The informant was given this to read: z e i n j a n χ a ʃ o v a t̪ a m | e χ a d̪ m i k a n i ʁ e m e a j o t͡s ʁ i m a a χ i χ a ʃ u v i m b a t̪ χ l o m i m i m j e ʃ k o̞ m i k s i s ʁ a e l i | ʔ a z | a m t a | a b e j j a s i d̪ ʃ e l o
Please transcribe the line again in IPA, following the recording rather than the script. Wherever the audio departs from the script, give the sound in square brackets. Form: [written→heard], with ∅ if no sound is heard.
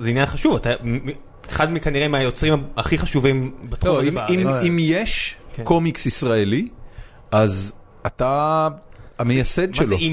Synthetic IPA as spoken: z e i n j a n χ a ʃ [o→u] v a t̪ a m | e χ a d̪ m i k a n i ʁ e m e a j o t͡s ʁ i m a a χ i χ a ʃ u v i m b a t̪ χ l o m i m i m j e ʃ k o̞ m i k s i s ʁ a e l i | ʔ a z | a [m→∅] t a | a [b→m] e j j a s [i→e] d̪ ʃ e l o